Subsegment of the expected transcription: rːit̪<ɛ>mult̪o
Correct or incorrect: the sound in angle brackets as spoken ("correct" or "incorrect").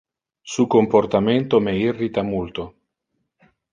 incorrect